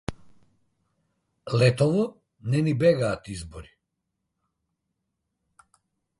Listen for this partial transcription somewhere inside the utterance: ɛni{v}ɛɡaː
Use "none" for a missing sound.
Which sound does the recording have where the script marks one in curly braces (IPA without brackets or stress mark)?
b